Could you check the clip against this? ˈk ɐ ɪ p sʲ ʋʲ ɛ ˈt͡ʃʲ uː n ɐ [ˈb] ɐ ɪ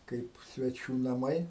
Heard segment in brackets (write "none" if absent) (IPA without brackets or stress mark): m